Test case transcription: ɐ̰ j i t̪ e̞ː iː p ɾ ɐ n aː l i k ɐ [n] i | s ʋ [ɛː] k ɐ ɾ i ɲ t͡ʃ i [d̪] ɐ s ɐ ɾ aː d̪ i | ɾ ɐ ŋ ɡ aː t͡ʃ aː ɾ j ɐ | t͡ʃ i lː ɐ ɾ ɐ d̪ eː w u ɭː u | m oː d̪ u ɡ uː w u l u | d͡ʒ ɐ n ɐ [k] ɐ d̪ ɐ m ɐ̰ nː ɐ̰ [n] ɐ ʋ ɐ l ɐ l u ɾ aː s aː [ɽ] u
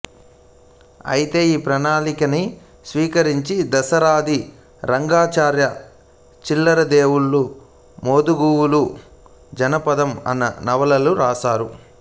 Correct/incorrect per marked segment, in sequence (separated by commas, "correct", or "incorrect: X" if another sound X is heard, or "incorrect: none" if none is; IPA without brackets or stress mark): correct, incorrect: iː, correct, incorrect: p, correct, incorrect: ɾ